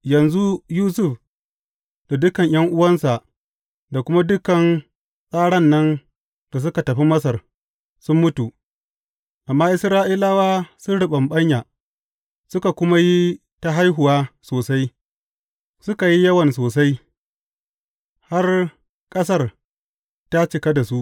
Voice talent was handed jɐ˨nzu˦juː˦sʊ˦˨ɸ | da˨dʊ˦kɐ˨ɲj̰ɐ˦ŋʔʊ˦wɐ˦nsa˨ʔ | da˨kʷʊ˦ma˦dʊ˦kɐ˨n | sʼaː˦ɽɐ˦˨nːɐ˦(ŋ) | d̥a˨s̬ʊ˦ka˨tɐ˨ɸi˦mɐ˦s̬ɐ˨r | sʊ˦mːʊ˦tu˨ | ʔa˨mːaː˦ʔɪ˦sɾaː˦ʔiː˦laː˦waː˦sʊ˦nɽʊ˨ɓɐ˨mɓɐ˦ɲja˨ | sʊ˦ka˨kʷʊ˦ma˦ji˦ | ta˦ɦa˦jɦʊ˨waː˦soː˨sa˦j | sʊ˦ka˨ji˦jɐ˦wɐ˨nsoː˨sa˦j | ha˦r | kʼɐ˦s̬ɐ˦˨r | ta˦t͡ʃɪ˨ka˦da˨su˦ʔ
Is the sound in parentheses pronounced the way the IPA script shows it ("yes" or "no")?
no